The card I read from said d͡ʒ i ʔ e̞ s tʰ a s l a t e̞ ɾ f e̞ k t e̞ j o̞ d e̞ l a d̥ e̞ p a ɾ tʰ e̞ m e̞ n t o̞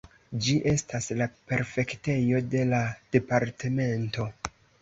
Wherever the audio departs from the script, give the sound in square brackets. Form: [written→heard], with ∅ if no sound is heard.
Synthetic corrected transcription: d͡ʒ i ʔ e̞ s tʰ a s l a [t→p] e̞ ɾ f e̞ k t e̞ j o̞ d e̞ l a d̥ e̞ p a ɾ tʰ e̞ m e̞ n t o̞